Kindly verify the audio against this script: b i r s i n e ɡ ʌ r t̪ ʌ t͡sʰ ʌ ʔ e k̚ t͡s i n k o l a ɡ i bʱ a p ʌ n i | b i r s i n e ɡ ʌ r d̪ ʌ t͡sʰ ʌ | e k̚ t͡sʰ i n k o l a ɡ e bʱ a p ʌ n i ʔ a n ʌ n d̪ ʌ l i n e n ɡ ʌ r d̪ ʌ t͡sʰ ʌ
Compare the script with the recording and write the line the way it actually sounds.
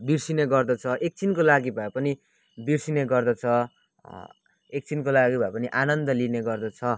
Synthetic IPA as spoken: b i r s i n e ɡ ʌ r d̪ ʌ t͡sʰ ʌ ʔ e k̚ t͡s i n k o l a ɡ i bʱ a p ʌ n i | b i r s i n e ɡ ʌ r d̪ ʌ t͡sʰ ʌ | e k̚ t͡s i n k o l a ɡ i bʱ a p ʌ n i ʔ a n ʌ n d̪ ʌ l i n e ɡ ʌ r d̪ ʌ t͡sʰ ʌ